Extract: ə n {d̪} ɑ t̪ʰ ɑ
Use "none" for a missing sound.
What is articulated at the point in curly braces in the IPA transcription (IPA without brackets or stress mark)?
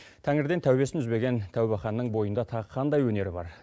d̪